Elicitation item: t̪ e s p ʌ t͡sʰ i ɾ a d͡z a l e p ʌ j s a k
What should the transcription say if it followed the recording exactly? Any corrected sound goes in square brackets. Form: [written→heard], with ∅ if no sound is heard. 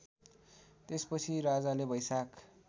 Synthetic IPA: t̪ e s p ʌ t͡sʰ i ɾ a d͡z a l e [p→b] ʌ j s a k